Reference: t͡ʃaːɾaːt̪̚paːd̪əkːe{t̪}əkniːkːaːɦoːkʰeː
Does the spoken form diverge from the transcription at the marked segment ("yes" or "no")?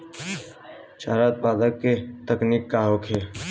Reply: no